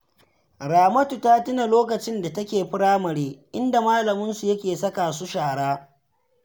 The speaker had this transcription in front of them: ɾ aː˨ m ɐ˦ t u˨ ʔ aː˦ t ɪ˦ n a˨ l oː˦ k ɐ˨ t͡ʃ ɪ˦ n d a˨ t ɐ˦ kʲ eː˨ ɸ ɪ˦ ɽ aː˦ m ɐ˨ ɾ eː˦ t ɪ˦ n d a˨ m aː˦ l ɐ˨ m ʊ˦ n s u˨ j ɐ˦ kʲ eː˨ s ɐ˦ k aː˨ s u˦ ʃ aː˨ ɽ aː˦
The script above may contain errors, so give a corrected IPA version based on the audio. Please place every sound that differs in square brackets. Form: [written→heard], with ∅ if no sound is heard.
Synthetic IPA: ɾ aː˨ m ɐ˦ t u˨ [ʔ→t] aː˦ t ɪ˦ n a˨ l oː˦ k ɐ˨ t͡ʃ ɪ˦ n d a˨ t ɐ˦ kʲ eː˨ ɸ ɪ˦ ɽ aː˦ m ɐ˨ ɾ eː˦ [t→ʔ] ɪ˦ n d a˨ m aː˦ l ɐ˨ m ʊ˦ n s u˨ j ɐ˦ kʲ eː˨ s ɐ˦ k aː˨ s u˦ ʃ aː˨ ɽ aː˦